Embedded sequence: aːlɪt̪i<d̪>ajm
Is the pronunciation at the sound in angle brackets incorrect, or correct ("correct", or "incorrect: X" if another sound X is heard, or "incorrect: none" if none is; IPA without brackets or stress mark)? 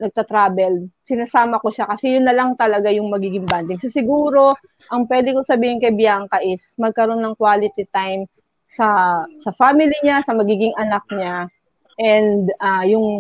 incorrect: t̪